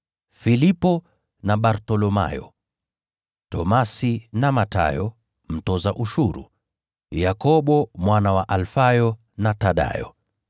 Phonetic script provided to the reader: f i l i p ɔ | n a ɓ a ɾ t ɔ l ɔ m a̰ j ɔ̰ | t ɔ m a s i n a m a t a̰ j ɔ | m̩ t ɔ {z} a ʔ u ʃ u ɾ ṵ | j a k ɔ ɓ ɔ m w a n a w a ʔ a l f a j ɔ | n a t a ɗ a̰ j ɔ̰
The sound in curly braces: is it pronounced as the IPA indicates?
yes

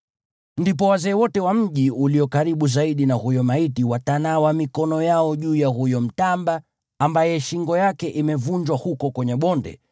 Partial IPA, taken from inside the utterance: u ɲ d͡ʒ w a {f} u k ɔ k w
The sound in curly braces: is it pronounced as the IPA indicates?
no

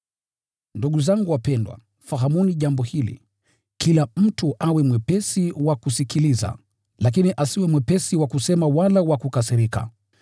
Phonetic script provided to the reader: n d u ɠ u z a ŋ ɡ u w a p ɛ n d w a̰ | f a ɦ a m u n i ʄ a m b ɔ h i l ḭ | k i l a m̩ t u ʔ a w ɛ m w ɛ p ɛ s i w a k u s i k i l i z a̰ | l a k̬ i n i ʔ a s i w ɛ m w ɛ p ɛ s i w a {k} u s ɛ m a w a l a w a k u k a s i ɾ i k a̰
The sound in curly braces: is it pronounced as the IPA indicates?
yes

